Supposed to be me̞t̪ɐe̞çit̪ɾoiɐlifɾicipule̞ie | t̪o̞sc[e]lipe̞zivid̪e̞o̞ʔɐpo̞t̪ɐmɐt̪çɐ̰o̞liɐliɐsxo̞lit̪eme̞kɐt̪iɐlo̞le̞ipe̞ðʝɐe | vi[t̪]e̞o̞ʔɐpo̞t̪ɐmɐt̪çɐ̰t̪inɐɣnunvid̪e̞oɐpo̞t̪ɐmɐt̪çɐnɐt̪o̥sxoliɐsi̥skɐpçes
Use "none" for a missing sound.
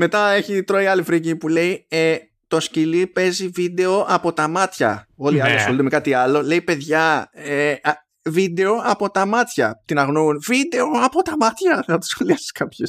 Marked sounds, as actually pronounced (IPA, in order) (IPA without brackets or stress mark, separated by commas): i, d̪